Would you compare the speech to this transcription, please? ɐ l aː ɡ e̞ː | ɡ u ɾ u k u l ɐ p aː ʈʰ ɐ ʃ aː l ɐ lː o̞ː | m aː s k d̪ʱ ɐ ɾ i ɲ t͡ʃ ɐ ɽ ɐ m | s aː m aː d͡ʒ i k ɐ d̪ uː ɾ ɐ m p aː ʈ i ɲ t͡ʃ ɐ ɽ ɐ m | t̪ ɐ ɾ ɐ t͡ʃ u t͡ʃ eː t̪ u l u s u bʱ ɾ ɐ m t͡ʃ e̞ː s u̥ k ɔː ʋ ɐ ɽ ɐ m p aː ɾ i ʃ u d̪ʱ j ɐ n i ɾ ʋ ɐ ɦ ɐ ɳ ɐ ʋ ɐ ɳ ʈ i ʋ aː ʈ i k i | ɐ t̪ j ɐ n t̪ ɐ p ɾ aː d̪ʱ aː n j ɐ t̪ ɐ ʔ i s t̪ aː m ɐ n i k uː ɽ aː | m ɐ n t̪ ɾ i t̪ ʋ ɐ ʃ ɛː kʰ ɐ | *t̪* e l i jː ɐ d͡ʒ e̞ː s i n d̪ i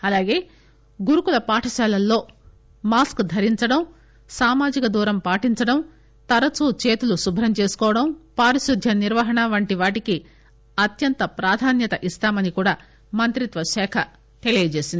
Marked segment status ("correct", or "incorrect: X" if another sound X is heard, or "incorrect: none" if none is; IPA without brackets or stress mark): correct